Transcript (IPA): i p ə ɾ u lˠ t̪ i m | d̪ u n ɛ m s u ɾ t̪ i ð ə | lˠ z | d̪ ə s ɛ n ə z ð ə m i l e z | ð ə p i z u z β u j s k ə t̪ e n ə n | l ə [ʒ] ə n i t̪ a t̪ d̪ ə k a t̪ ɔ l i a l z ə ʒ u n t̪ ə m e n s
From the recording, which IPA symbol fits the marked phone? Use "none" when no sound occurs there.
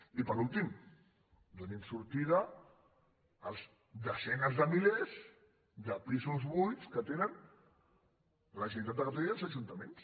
ʒ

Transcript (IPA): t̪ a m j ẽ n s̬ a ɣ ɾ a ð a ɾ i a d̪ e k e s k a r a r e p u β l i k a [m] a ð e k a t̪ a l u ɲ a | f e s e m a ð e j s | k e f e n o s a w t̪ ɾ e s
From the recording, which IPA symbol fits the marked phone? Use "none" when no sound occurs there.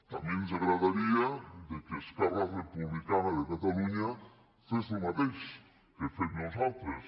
n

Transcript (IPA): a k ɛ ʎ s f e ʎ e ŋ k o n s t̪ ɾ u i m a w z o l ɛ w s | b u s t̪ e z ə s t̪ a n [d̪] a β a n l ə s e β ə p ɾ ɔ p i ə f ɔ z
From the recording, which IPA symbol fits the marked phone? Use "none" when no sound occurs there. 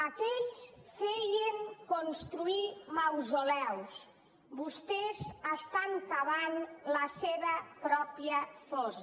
t̪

